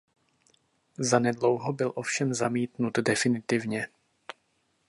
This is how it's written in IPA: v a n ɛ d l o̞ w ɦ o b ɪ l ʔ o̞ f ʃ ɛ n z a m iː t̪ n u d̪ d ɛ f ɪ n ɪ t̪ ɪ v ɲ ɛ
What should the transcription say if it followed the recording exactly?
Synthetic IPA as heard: z a n ɛ d l o̞ w ɦ o b ɪ l ʔ o̞ f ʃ ɛ m z a m iː t̪ n u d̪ d ɛ f ɪ n ɪ t̪ ɪ v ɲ ɛ